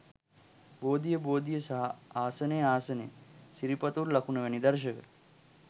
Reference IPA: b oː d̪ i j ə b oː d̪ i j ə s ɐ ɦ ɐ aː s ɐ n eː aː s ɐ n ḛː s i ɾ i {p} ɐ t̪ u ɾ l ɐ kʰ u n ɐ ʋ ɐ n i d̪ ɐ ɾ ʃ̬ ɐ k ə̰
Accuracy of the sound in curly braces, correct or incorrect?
correct